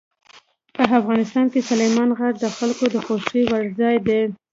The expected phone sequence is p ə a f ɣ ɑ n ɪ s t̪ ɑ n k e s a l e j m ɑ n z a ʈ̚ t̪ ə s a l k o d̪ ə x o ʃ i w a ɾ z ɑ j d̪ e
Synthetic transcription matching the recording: p ə a f ɣ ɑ n ɪ s t̪ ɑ n k e s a l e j m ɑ n ɣ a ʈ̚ d̪ ə x a l k o d̪ ə x o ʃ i w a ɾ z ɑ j d̪ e